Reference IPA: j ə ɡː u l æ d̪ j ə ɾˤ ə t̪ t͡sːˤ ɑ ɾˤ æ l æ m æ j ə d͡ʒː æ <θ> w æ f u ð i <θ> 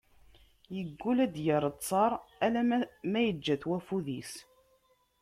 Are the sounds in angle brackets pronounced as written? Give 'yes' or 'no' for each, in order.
yes, no

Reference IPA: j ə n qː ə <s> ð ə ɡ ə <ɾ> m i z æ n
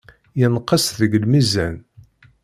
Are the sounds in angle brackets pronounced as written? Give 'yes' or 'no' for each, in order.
yes, no

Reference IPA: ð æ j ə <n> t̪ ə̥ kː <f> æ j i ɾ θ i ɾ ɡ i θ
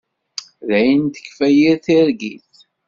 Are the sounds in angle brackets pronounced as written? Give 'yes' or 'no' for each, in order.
yes, yes

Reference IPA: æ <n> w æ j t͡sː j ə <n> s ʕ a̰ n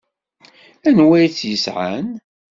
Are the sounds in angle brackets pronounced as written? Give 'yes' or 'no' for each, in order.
yes, no

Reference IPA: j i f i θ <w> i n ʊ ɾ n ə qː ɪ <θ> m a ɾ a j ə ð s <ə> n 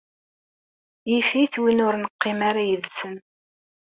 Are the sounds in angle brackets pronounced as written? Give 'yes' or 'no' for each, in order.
yes, no, yes

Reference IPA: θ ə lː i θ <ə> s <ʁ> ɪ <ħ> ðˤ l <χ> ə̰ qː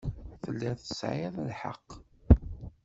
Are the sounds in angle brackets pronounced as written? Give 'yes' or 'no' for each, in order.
yes, no, no, no

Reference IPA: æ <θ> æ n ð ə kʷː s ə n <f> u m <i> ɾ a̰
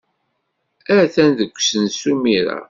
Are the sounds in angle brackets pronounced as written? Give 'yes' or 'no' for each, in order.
yes, no, yes

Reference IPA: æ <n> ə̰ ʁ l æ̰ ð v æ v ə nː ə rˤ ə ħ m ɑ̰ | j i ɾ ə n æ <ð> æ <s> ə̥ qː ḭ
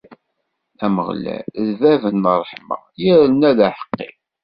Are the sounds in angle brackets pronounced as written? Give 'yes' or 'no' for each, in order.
no, yes, no

